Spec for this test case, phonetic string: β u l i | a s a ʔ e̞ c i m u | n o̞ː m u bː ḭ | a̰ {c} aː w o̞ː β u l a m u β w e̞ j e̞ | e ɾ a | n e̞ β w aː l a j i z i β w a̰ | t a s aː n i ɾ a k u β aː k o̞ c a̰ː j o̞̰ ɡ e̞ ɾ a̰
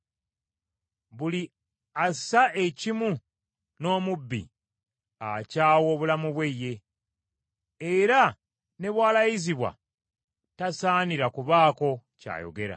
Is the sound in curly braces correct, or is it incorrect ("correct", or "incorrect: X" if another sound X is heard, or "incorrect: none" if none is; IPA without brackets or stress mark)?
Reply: correct